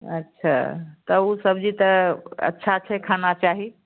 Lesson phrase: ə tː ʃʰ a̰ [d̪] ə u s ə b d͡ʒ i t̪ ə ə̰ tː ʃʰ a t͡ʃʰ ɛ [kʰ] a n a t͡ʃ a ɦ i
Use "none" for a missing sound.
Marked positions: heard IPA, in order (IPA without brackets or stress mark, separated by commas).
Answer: t̪, kʰ